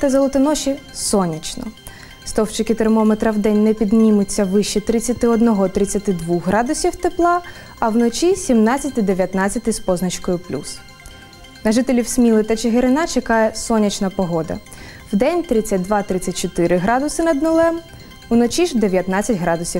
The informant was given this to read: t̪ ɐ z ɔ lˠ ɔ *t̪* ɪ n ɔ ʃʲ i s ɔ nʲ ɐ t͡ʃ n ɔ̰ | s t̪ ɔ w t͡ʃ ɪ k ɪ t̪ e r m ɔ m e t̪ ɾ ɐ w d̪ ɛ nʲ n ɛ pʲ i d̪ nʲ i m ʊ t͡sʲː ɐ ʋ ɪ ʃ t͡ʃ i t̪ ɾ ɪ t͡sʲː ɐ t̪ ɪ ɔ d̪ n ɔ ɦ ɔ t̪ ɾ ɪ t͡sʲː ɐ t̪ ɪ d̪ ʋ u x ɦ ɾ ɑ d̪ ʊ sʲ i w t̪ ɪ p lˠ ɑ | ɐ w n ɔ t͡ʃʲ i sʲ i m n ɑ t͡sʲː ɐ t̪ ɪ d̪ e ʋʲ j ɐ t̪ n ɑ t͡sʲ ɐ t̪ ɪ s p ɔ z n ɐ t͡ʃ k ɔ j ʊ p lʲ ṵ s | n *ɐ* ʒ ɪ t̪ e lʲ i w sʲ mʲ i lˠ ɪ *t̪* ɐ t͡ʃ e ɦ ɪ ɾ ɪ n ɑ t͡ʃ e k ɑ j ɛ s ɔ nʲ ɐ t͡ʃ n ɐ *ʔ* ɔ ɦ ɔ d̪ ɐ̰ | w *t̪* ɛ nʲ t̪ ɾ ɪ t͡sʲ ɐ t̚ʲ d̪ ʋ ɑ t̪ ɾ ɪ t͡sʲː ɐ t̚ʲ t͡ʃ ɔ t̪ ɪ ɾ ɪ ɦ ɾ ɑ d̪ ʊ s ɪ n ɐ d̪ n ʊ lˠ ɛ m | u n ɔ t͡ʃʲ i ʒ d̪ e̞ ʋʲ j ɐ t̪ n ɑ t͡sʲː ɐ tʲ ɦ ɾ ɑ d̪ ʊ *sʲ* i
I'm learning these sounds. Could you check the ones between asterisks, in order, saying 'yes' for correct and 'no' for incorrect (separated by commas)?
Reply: yes, yes, yes, no, no, yes